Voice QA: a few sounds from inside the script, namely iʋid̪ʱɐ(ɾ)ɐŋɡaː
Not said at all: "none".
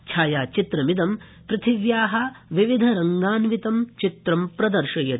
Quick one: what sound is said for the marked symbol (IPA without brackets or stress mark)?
ɾ